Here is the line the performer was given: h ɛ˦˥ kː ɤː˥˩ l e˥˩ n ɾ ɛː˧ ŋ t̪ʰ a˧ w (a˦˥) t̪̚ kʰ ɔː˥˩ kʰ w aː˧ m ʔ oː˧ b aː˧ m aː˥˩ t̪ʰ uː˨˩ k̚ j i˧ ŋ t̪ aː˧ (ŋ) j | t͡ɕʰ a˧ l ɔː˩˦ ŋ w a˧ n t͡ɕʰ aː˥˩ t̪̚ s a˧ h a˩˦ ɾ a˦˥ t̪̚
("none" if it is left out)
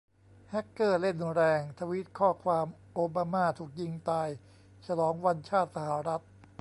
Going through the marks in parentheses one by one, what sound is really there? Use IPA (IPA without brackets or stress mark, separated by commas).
i˦˥, none